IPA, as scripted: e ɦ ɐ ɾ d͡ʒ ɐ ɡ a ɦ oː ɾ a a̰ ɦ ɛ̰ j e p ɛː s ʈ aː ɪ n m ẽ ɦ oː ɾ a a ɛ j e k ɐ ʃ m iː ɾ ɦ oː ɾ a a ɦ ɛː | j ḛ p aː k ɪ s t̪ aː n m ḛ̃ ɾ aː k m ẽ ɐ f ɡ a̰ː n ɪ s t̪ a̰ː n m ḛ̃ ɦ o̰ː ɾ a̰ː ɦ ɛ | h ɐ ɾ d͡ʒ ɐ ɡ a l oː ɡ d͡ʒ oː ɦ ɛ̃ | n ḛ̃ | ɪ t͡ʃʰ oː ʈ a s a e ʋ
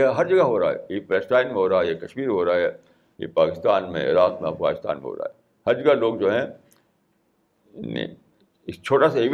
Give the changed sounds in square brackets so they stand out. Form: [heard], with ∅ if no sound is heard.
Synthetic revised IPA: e ɦ ɐ ɾ d͡ʒ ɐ ɡ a ɦ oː ɾ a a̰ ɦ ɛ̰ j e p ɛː s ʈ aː ɪ n m ẽ ɦ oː ɾ a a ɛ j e k ɐ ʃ m iː ɾ ɦ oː ɾ a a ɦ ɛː | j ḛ p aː k ɪ s t̪ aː n m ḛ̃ ɾ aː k m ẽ ɐ f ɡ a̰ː n ɪ s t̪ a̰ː n m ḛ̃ ɦ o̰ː ɾ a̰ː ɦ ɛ | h ɐ ɾ d͡ʒ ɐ ɡ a l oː ɡ d͡ʒ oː ɦ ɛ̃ | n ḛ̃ | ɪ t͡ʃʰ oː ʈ a s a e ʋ